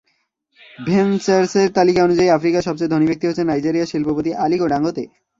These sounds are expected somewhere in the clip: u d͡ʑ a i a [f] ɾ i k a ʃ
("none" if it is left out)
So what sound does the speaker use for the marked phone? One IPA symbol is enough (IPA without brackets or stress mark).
f